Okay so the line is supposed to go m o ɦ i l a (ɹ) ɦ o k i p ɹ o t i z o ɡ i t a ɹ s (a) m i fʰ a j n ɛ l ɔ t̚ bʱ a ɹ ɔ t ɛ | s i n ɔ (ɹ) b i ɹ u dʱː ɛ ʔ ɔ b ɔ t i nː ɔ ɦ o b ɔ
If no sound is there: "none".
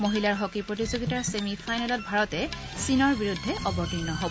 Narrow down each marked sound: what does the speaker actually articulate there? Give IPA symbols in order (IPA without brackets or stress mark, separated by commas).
ɹ, e, ɹ